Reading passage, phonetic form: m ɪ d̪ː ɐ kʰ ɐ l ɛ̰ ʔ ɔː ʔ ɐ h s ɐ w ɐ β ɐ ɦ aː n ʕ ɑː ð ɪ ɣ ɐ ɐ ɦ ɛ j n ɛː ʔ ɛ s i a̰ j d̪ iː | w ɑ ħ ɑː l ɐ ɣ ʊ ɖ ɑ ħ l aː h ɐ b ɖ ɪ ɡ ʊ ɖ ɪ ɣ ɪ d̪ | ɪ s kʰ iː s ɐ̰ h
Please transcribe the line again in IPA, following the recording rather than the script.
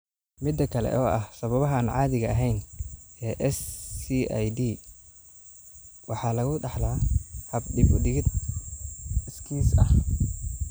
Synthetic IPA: m ɪ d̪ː ɐ kʰ ɐ l ɛ̰ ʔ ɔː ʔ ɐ h s ɐ β ɐ β ɐ ɦ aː n ʕ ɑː ð ɪ ɣ ɐ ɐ ɦ ɛ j n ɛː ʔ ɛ s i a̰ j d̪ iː | w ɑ ħ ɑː l ɐ ɣ ʊ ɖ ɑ ħ l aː h ɐ b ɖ ɪ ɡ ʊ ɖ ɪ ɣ ɪ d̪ | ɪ s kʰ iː s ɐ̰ h

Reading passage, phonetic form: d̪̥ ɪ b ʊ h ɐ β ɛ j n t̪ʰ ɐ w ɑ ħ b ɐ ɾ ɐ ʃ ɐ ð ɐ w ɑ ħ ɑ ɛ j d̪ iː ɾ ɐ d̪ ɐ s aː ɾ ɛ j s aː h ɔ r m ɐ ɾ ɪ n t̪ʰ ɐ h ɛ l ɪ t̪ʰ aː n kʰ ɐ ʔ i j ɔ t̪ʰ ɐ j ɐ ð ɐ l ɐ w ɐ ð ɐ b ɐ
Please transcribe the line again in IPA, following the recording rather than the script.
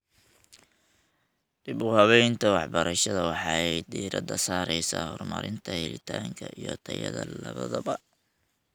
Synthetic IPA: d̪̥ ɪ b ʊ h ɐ β ɛ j n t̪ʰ ɐ w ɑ ħ b ɐ ɾ ɐ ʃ ɐ ð ɐ w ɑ ħ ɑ ɛ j d̪ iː ɾ ɐ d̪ ɐ s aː ɾ ɛ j s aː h ɔ r m ɐ ɾ ɪ n t̪ʰ ɐ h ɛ l ɪ t̪ʰ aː ŋ kʰ ɐ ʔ i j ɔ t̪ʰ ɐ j ɐ ð ɐ l ɐ β ɐ ð ɐ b ɐ

